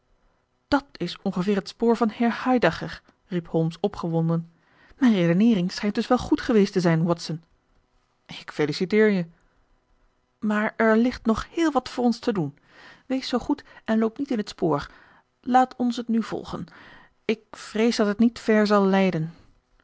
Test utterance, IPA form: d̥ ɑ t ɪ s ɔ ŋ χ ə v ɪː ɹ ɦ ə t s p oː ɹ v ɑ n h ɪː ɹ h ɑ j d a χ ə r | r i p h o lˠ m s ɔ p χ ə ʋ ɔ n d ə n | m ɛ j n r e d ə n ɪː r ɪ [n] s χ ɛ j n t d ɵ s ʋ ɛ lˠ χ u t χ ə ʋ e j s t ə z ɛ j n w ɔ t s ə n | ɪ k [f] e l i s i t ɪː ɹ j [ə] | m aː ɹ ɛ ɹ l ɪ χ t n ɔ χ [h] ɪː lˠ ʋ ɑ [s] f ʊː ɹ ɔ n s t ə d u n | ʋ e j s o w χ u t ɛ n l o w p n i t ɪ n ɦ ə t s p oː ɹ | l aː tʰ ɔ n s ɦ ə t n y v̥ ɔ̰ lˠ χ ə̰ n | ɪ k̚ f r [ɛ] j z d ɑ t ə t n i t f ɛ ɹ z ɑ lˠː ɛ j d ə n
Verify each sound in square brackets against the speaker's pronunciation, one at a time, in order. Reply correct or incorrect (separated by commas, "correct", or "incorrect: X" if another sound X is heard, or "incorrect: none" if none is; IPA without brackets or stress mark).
incorrect: ŋ, correct, correct, correct, incorrect: t, incorrect: e